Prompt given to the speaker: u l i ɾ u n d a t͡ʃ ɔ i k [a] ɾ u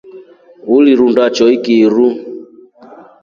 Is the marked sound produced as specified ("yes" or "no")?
no